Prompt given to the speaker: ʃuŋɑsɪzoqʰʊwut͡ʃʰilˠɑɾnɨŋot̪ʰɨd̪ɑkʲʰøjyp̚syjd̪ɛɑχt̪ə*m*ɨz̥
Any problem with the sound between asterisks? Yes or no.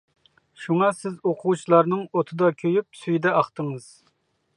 yes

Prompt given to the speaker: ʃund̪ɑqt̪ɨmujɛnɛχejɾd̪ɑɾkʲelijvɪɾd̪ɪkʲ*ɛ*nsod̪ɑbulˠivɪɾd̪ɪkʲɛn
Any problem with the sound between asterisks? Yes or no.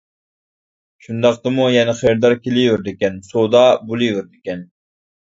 no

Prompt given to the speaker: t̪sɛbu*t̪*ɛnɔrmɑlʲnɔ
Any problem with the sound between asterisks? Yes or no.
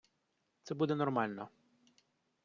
yes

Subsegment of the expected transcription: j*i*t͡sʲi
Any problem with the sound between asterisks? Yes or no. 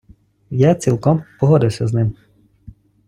yes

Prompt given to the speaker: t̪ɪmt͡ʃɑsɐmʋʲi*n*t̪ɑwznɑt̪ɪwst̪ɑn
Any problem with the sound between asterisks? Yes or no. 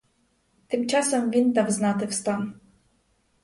no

